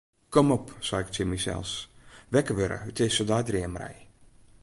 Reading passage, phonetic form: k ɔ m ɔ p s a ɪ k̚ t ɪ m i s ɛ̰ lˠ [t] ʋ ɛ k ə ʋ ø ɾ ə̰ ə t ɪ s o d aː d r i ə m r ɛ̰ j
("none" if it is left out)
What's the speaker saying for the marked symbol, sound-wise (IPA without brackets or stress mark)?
s